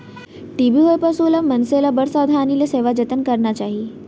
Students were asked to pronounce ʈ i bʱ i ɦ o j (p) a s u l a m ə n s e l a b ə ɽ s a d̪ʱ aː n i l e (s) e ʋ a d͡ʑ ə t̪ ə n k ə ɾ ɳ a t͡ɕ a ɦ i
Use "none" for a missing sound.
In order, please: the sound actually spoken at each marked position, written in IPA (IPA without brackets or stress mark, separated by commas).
p, s